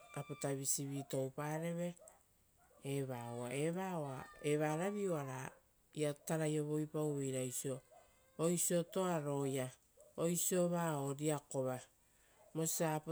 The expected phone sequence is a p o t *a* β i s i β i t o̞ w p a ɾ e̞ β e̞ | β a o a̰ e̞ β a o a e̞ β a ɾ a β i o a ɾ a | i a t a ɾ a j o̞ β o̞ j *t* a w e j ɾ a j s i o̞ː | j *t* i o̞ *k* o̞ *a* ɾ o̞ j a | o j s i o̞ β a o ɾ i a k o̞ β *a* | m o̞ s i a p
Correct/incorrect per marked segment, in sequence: correct, incorrect, incorrect, incorrect, correct, correct

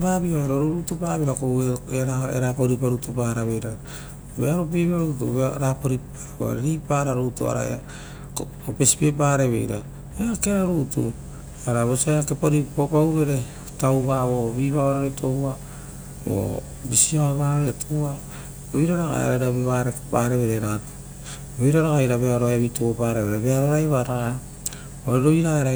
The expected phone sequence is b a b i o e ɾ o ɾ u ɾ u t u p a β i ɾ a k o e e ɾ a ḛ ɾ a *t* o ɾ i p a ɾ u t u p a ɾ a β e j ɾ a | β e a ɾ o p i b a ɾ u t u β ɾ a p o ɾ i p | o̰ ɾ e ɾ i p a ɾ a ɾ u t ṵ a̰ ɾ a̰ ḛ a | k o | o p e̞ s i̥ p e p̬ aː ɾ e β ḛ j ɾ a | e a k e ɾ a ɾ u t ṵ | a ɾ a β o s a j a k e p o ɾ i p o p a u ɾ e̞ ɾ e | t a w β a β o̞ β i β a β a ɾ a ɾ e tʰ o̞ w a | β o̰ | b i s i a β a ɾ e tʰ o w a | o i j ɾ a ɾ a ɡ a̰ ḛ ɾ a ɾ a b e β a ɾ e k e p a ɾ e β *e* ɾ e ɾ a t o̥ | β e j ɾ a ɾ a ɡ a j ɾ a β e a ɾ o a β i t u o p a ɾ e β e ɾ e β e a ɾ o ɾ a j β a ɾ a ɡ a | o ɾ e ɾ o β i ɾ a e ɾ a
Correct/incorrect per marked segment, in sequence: incorrect, correct

